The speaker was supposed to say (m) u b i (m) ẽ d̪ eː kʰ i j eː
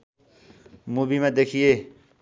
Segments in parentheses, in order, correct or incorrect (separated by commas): correct, correct